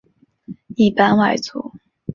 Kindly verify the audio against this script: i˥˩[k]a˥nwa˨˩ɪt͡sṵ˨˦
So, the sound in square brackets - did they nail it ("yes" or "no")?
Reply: no